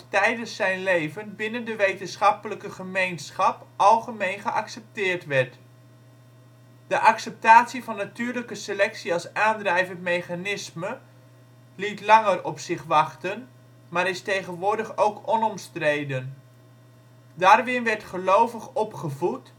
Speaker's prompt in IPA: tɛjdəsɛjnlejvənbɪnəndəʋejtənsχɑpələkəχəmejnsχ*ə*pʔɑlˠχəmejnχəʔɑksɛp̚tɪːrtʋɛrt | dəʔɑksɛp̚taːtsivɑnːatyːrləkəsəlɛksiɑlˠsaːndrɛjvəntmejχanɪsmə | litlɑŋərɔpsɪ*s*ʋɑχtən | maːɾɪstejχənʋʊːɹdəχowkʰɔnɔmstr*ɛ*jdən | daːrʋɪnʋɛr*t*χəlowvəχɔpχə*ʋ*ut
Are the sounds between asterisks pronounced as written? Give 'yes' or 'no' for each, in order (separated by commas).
no, no, no, yes, no